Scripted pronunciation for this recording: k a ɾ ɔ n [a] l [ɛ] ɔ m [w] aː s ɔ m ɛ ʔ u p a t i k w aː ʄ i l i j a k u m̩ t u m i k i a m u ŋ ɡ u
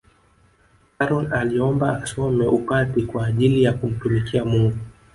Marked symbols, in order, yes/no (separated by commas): yes, no, no